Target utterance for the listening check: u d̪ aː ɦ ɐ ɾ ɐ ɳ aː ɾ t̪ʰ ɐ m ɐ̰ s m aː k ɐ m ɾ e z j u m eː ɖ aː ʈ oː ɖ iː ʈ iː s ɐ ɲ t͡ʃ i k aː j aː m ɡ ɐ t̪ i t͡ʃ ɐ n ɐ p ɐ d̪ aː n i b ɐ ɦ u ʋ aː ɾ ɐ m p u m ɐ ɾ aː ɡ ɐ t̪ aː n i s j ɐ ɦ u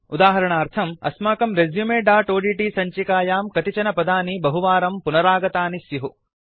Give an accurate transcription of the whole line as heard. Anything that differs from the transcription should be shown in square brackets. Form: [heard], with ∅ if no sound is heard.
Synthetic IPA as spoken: u d̪ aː ɦ ɐ ɾ ɐ ɳ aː ɾ t̪ʰ ɐ m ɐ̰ s m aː k ɐ m ɾ e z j u m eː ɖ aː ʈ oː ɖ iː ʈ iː s ɐ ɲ t͡ʃ i k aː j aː m [k] ɐ t̪ i t͡ʃ ɐ n ɐ p ɐ d̪ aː n i b ɐ ɦ u ʋ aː ɾ ɐ m p u [n] ɐ ɾ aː ɡ ɐ t̪ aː n i s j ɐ ɦ u

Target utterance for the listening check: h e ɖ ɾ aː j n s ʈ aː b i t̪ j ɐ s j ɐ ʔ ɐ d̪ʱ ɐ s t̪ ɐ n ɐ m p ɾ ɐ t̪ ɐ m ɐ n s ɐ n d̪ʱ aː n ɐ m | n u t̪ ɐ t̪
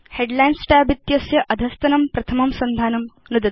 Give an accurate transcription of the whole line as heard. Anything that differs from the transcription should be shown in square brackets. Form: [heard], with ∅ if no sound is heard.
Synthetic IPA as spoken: h e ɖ [l] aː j n s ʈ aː b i t̪ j ɐ s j ɐ ʔ ɐ d̪ʱ ɐ s t̪ ɐ n ɐ m p ɾ ɐ [t̪ʰ] ɐ m ɐ [m] s ɐ n d̪ʱ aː n ɐ m | n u [d̪] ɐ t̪

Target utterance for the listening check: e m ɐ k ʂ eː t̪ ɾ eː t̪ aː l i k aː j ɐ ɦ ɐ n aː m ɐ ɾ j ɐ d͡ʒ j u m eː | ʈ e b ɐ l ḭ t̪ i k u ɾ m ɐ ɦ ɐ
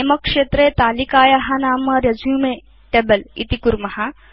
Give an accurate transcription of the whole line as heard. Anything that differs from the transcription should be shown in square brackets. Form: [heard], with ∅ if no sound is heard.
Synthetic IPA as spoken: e m ɐ k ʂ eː t̪ ɾ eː t̪ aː l i k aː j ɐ ɦ ɐ n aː m ɐ ɾ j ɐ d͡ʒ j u m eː | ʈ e b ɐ l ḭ t̪ i k u ɾ m ɐ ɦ ɐ

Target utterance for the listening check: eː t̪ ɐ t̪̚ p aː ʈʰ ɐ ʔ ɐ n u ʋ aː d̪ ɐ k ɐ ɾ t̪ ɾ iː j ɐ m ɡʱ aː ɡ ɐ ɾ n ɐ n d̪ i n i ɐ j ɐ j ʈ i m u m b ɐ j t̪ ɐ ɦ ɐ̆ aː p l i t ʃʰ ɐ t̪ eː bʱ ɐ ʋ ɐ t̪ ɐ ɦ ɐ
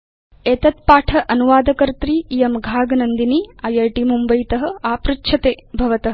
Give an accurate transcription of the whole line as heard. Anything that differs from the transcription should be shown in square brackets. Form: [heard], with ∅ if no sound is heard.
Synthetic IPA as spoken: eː t̪ ɐ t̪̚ p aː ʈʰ ɐ ʔ ɐ n u ʋ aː d̪ ɐ k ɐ ɾ t̪ ɾ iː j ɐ m ɡʱ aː ɡ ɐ [∅] n ɐ n d̪ i n i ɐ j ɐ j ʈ i m u m b ɐ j t̪ ɐ ɦ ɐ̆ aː p [ɾ] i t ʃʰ ɐ t̪ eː bʱ ɐ ʋ ɐ t̪ ɐ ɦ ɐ

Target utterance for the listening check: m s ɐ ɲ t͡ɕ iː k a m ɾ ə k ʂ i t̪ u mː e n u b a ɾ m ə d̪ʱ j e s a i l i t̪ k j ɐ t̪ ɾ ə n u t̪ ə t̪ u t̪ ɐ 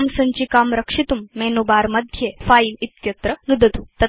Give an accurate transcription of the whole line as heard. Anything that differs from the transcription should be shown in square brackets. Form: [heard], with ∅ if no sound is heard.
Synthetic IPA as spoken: m s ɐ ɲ t͡ɕ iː k a m ɾ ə k ʂ i t̪ u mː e n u b a ɾ m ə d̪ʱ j e [f] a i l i t̪ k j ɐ t̪ ɾ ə n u [d̪] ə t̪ u t̪ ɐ

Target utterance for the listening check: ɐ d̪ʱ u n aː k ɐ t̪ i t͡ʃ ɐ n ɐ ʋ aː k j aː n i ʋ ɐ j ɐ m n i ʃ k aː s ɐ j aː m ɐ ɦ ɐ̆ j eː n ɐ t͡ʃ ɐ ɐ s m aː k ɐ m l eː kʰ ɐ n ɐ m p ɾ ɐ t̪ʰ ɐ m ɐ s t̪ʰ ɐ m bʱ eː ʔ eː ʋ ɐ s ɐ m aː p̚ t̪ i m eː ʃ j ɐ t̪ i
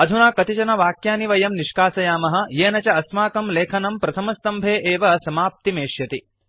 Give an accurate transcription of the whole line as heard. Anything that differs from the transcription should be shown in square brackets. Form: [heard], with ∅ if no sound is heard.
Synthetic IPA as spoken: ɐ d̪ʱ u n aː k ɐ t̪ i t͡ʃ ɐ n ɐ ʋ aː k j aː n i ʋ ɐ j ɐ m n i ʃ k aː s ɐ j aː m ɐ ɦ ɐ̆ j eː n ɐ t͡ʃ ɐ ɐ s m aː k ɐ m l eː kʰ ɐ n ɐ m p ɾ ɐ t̪ʰ ɐ m ɐ s [t̪] ɐ m bʱ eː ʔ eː ʋ ɐ s ɐ m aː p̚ t̪ i m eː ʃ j ɐ t̪ i

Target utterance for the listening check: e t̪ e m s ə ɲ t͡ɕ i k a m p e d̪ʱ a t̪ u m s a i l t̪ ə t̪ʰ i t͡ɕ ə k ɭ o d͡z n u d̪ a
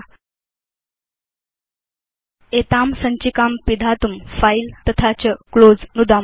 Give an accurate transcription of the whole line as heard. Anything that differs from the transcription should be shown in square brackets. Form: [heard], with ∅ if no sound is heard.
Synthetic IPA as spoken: e t̪ [a] m s ə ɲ t͡ɕ i k a m p [i] d̪ʱ a t̪ u m [f] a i l t̪ ə t̪ʰ [a] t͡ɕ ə k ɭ o d͡z n u d̪ a

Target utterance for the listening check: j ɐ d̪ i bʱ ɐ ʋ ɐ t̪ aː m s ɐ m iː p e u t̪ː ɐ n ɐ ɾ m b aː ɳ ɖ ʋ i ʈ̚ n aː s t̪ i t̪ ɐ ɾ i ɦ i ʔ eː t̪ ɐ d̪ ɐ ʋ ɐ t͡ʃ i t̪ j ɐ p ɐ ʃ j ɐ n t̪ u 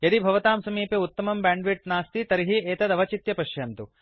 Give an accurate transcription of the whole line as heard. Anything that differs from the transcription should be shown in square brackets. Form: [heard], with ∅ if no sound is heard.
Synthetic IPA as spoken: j ɐ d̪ i bʱ ɐ ʋ ɐ t̪ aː m s ɐ m iː p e u t̪ː ɐ [m] ɐ [∅] m b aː ɳ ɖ ʋ i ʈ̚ n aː s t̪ i t̪ ɐ ɾ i ɦ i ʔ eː t̪ ɐ d̪ ɐ ʋ ɐ t͡ʃ i t̪ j ɐ p ɐ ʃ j ɐ n t̪ u

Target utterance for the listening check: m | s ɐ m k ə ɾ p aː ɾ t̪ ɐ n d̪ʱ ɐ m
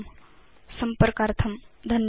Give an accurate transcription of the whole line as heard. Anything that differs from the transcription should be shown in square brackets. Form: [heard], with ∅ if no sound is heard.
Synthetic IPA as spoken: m | s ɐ m [p] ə ɾ [k] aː ɾ [t̪ʰ] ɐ [m] d̪ʱ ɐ [n]

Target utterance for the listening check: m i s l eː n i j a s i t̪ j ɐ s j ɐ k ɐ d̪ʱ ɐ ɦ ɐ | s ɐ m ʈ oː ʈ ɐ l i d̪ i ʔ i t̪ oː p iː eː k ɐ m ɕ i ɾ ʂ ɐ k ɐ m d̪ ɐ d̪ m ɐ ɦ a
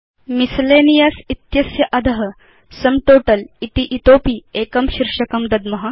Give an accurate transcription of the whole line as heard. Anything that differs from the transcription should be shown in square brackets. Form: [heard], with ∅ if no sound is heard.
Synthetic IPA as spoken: m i s l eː n i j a s i t̪ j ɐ s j ɐ [ʔ] ɐ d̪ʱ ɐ ɦ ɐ | s ɐ m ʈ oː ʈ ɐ l i [t̪] i ʔ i t̪ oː p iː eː k ɐ m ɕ i ɾ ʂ ɐ k ɐ m d̪ ɐ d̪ m ɐ ɦ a

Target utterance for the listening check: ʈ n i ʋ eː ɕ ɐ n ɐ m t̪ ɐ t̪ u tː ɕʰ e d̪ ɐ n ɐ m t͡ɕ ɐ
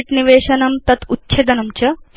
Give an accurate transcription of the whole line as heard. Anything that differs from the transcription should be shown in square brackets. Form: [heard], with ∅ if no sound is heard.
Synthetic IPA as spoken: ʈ n i ʋ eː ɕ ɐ n ɐ m t̪ ɐ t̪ u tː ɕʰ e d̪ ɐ n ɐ m t͡ɕ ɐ

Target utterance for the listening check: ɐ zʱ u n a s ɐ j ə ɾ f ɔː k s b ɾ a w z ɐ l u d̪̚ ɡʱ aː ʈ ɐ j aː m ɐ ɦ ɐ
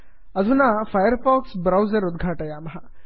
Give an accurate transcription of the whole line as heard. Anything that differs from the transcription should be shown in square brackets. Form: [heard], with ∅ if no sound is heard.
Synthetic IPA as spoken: ɐ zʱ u n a [f] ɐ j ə ɾ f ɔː k s b ɾ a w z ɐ [ɾ] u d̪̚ ɡʱ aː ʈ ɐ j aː m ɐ ɦ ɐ

